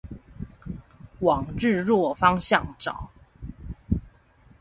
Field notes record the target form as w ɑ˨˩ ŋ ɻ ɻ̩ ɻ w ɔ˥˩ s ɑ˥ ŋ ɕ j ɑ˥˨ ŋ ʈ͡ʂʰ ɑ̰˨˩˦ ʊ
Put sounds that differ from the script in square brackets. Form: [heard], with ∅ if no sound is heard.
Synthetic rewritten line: w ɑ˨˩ ŋ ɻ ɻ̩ ɻ w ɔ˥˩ [f] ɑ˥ ŋ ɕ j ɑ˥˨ ŋ [ʈ͡ʂ] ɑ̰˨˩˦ ʊ